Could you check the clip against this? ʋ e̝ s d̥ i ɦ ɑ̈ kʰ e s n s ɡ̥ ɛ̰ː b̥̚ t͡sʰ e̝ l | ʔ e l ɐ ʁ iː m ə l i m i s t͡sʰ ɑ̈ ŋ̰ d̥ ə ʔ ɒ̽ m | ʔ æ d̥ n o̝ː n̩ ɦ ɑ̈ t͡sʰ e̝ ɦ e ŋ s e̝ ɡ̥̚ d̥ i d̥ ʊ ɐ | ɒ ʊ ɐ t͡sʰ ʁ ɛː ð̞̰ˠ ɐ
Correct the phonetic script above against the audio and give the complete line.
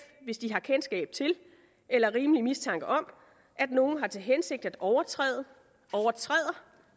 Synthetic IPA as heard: ʋ e̝ s d̥ i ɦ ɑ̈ kʰ e n s ɡ̥ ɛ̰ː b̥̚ t͡sʰ e̝ l | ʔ e l ɐ ʁ iː m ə l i m i s t͡sʰ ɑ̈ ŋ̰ ɡ̥ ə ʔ ɒ̽ m | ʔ æ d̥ n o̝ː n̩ ɦ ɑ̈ t͡sʰ e̝ ɦ e n s e̝ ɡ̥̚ d̥ æ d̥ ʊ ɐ | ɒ ʊ ɐ t͡sʰ ʁ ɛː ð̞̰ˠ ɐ